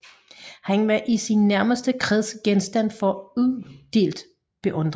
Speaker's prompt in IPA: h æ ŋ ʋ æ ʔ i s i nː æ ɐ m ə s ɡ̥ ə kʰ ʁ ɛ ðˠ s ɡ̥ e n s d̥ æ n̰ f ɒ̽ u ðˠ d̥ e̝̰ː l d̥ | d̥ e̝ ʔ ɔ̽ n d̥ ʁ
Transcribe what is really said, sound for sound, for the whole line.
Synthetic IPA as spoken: h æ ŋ ʋ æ ʔ i s i nː æ ɐ m ə s d̥ ə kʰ ʁ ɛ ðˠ s ɡ̥ e n s d̥ æ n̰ f ɒ̽ u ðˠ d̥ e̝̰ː l d̥ | b̥ e̝ ʔ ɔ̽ n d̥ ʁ